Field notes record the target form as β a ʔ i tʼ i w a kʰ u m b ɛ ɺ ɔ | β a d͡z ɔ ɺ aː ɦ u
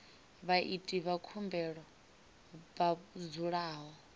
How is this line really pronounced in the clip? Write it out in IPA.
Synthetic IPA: β a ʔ i tʼ i β a kʰ u m b ɛ ɺ ɔ | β a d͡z u ɺ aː ɦ ɔ

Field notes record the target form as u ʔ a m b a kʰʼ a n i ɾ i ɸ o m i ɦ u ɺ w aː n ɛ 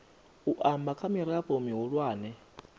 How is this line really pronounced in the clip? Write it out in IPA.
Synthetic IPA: u ʔ a m b a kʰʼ a m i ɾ a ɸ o m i ɦ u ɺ w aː n ɛ

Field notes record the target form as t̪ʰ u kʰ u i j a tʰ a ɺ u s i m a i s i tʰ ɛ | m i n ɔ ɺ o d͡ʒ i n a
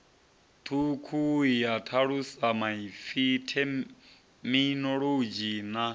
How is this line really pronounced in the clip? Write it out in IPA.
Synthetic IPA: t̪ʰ u kʰ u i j a tʰ a ɺ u s a m a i f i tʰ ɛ | m i n ɔ ɺ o d͡ʒ i n a

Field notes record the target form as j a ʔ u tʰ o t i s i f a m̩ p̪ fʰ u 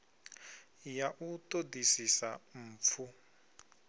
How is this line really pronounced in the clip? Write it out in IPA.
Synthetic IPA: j a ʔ u t o d i s i s a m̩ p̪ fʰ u

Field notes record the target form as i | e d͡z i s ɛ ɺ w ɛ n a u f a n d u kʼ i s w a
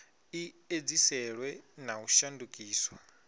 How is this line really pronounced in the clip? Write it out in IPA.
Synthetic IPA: i | e d͡z i s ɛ ɺ w ɛ n a u ʃ a n d u kʼ iː s w a

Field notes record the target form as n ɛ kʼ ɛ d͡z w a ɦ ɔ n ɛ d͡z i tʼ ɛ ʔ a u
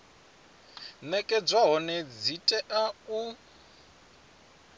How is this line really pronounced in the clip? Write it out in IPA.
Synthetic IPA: n ɛ kʼ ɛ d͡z w a ɦ ɔ n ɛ d͡z i tʼ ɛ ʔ a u

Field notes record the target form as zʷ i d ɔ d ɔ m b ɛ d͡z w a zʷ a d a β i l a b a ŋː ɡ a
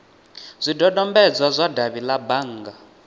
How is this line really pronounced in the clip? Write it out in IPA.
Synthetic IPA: zʷ i d ɔ d ɔ m b ɛ d͡z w a zʷ a d a β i l a b a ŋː ɡ a

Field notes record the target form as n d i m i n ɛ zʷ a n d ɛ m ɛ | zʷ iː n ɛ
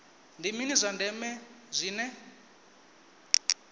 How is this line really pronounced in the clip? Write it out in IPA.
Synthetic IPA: n d i m i n i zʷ a n d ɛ m ɛ | zʷ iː n ɛ

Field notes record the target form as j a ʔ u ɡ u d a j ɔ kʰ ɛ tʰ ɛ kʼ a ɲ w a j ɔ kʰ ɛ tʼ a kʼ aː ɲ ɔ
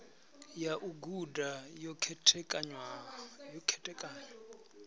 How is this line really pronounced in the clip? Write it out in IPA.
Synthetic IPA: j a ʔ u ɡ u d a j ɔ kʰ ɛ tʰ ɛ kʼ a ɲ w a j ɔ kʰ ɛ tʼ ɛ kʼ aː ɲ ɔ

